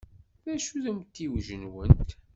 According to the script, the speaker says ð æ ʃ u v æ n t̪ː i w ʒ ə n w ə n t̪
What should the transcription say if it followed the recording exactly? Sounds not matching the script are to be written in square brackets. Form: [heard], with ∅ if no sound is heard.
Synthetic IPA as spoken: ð æ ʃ u [ð] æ [m] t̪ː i w ʒ ə n w ə n t̪